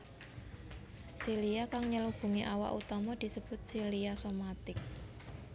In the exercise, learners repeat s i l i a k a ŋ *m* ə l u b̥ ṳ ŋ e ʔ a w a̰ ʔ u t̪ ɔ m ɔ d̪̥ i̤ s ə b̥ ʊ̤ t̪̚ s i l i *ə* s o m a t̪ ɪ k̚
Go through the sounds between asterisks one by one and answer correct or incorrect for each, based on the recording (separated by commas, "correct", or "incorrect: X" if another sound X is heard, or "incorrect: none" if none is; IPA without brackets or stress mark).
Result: incorrect: ɲ, incorrect: a